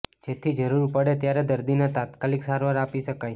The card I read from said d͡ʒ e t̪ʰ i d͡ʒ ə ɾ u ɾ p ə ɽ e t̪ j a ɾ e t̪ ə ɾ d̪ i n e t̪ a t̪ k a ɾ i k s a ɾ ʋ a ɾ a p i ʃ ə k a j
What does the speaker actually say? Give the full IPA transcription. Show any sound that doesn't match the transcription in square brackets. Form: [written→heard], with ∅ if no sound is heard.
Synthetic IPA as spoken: d͡ʒ e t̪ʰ i d͡ʒ ə ɾ u ɾ p ə ɽ e t̪ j a ɾ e [t̪→d̪] ə ɾ d̪ i n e t̪ a t̪ k a [ɾ→l] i k s a ɾ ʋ a ɾ a p i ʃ ə k a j